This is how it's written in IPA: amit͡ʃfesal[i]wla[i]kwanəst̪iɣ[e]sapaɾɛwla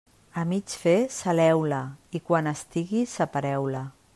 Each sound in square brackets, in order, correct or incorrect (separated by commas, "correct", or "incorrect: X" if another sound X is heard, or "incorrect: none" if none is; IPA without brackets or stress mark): incorrect: ɛ, correct, incorrect: i